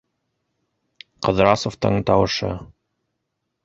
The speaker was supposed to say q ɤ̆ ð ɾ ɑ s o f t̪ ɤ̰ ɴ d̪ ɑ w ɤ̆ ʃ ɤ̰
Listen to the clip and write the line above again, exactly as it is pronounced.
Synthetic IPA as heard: q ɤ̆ ð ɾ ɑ s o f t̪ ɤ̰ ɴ t̪ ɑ w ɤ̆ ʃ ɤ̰